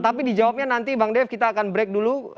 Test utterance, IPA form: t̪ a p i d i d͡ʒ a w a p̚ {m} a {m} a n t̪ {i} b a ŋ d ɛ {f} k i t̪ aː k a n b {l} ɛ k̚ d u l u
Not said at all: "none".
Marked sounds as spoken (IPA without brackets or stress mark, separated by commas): ɲ, n, i, f, ɾ